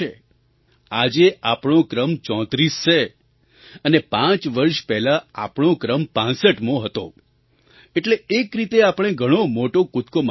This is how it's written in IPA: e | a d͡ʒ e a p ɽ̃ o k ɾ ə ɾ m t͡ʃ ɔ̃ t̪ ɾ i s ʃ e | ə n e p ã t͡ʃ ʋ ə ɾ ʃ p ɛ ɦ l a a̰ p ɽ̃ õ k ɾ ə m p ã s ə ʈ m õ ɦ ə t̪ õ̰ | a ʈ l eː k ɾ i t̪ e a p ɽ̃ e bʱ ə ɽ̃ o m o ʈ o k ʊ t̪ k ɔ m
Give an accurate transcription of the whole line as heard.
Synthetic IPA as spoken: e | a d͡ʒ e a p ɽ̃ o k ɾ ə m t͡ʃ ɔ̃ t̪ ɾ i s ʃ e | ə n e p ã t͡ʃ ʋ ə ɾ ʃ p ɛ ɦ l a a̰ p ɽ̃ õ k ɾ ə m p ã s ə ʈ m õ ɦ ə t̪ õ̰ | e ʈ l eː k ɾ i t̪ e a p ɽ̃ e ɡʱ ə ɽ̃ o m o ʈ o k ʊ t̪ k o m

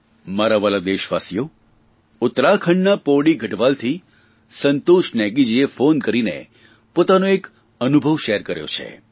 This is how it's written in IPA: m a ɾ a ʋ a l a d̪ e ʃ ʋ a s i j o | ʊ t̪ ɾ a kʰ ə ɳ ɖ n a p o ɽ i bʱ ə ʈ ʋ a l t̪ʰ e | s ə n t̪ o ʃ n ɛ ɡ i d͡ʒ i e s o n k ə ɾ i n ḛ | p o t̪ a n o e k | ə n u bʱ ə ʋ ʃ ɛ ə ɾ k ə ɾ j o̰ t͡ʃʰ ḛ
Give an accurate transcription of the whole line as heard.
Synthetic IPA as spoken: m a ɾ a ʋ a l a d̪ e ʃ ʋ a s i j o | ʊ t̪ ɾ a kʰ ə ɳ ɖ n a p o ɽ i ɡʱ ə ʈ ʋ a l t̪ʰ i | s ə n t̪ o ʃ n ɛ ɡ i d͡ʒ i e f o n k ə ɾ i n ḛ | p o t̪ a n o e k | ə n u bʱ ə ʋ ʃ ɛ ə ɾ k ə ɾ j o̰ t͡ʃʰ ḛ

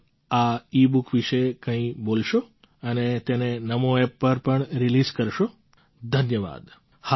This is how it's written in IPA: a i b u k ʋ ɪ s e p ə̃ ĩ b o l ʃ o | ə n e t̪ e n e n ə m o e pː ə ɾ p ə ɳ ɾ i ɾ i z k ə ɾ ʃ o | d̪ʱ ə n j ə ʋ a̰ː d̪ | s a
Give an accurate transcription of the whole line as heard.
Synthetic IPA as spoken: a i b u k ʋ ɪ ʃ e k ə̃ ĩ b o l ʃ o | ə n e t̪ e n e n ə m o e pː ə ɾ p ə ɳ ɾ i l i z k ə ɾ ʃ o | d̪ʱ ə n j ə ʋ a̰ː d̪ | h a

